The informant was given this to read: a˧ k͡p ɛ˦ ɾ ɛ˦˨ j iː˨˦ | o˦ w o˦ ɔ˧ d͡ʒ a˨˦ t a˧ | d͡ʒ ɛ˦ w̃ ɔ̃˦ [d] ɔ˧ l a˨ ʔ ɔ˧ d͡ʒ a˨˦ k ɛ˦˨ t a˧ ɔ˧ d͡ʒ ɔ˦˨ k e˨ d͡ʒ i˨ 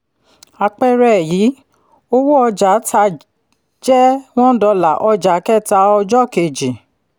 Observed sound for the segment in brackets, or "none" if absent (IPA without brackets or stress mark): d